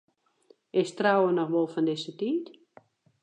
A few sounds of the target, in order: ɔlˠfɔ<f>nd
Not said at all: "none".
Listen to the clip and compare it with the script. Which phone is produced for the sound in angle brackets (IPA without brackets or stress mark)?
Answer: none